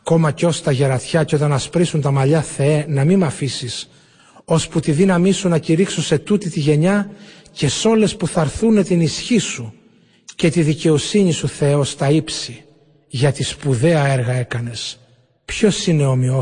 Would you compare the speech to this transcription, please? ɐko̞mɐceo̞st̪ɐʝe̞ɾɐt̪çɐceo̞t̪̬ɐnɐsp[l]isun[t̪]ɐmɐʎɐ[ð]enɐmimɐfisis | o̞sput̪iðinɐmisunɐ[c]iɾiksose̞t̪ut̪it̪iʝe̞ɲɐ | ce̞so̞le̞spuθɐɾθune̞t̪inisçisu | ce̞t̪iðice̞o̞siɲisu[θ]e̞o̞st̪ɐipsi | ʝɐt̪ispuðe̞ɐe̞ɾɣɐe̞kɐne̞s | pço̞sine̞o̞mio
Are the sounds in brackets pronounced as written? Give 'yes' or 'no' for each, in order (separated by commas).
no, yes, no, yes, yes